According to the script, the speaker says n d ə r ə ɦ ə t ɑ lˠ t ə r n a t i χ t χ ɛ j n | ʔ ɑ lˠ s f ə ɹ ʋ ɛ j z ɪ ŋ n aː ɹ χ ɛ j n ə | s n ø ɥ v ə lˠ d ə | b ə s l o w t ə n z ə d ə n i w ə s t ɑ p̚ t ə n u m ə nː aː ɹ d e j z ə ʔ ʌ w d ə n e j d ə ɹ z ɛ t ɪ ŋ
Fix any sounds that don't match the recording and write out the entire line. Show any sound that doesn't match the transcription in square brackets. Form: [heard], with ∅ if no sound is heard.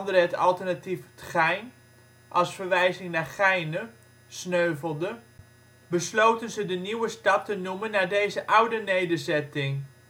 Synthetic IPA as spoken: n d ə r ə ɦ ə t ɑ lˠ t ə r n a t i [f] t χ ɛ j n | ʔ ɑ lˠ s f ə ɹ ʋ ɛ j z ɪ ŋ n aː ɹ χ ɛ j n ə | s n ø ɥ v ə lˠ d ə | b ə s l o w t ə n z ə d ə n i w ə s t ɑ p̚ t ə n u m ə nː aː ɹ d e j z ə ʔ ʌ w d ə n e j d ə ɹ z ɛ t ɪ ŋ